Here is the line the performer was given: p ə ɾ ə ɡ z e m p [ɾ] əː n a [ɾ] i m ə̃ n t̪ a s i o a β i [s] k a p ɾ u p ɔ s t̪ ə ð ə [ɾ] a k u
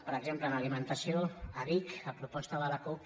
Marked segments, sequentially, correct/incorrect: incorrect: l, incorrect: l, incorrect: none, incorrect: l

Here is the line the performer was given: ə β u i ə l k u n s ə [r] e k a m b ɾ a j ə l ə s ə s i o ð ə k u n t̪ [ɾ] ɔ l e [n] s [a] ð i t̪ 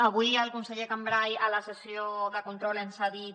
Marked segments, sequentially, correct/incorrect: incorrect: ʎ, correct, correct, correct

